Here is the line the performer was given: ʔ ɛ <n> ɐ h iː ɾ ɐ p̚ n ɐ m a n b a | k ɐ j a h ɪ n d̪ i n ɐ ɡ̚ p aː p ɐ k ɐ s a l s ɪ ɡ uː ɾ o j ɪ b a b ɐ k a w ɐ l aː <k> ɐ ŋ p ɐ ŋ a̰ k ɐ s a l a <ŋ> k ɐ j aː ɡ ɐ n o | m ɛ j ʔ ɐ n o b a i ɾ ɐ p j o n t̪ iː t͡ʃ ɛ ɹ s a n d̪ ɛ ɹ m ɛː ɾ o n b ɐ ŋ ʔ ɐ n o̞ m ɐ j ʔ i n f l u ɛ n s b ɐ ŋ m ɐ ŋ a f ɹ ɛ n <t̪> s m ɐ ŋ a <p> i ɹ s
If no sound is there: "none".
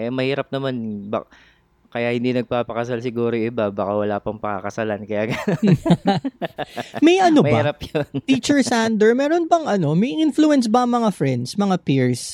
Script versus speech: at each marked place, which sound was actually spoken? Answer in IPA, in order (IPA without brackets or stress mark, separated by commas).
m, p, n, d̪, p